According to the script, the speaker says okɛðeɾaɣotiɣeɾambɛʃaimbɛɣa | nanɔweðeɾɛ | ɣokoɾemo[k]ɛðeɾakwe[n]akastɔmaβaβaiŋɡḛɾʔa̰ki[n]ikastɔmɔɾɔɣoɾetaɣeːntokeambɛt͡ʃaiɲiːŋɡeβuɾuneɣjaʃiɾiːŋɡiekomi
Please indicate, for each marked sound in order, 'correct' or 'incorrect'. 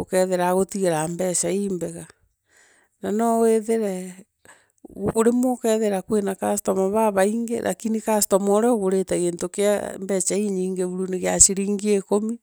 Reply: correct, correct, correct

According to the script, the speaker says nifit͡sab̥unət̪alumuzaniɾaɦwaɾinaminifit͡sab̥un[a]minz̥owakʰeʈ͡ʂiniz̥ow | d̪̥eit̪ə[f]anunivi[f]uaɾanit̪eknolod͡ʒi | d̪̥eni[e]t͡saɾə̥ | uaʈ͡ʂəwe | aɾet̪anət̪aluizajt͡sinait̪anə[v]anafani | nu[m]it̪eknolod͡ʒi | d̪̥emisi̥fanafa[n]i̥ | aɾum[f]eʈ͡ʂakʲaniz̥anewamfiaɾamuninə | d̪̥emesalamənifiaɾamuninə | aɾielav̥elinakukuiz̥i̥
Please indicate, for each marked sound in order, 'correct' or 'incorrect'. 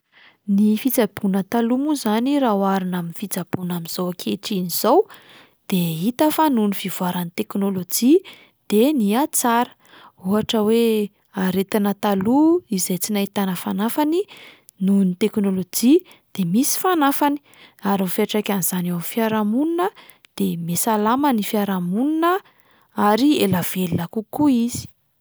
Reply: correct, correct, incorrect: v, incorrect: a, incorrect: f, incorrect: n, correct, correct

